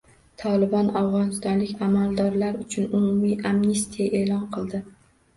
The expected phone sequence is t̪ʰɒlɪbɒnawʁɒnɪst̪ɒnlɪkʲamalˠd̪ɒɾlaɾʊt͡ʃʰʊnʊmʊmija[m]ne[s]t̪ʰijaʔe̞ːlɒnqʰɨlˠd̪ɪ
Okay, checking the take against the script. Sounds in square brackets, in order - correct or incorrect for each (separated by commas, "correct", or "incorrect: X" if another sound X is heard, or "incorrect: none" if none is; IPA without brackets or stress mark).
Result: correct, correct